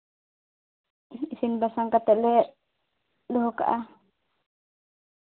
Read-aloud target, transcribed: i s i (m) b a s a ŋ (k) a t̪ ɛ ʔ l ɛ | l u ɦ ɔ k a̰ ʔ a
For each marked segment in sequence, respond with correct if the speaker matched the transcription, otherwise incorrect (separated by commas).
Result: incorrect, correct